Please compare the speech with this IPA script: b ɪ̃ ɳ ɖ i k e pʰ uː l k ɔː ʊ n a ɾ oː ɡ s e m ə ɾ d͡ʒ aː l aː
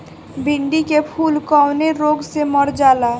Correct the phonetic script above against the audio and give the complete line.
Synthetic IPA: b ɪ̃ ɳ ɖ i k e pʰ uː l k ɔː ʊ n e ɾ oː ɡ s e m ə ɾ d͡ʒ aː l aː